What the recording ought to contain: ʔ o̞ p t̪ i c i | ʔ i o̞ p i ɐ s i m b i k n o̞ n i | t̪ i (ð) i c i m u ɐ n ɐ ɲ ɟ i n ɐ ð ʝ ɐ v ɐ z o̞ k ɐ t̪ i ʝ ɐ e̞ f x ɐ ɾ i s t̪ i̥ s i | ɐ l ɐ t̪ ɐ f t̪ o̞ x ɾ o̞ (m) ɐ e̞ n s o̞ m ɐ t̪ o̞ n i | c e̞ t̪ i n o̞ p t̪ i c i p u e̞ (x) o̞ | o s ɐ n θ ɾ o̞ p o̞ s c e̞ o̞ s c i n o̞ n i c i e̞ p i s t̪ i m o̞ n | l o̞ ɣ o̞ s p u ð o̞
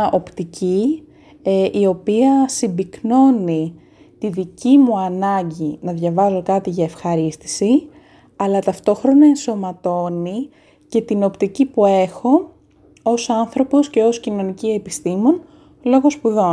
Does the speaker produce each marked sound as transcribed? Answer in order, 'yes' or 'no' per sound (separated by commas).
yes, no, yes